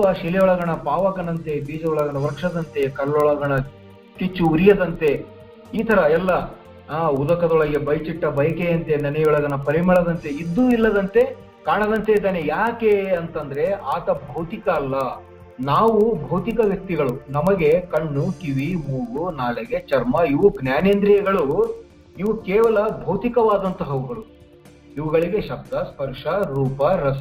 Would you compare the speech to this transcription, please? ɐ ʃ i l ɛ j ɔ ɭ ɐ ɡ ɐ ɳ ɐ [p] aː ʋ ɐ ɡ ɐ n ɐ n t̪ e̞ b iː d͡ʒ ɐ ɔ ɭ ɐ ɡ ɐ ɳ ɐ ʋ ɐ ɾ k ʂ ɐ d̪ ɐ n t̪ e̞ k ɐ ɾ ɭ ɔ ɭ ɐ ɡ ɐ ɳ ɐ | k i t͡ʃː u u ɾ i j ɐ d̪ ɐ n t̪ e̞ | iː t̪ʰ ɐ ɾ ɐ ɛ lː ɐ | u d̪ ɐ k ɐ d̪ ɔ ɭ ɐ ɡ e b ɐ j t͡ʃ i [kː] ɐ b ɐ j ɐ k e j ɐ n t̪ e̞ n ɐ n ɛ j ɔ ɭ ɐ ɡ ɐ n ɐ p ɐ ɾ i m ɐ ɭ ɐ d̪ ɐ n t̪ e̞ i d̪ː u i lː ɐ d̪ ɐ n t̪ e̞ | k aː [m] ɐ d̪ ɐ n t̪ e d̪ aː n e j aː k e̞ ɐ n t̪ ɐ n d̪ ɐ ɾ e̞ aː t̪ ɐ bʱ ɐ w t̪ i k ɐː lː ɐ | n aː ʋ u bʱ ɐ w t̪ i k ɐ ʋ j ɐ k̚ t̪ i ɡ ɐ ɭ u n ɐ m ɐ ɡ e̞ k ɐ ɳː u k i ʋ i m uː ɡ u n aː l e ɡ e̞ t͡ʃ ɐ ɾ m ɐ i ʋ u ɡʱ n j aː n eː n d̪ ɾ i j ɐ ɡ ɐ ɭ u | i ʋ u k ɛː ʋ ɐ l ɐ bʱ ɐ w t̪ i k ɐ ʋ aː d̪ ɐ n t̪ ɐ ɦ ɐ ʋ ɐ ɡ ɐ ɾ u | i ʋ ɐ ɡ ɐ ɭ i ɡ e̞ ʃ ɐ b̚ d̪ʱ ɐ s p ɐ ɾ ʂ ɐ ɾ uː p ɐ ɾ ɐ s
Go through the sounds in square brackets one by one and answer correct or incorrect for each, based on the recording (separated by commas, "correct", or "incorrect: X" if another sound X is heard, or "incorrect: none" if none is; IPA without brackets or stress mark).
correct, incorrect: ʈː, incorrect: ɳ